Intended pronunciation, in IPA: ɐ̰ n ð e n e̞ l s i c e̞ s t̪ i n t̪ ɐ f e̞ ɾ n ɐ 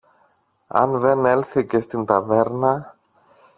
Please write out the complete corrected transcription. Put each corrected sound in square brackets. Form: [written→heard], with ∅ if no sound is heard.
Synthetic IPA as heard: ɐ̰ n ð e n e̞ l [s→θ] i c e̞ s t̪ i n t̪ ɐ [f→v] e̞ ɾ n ɐ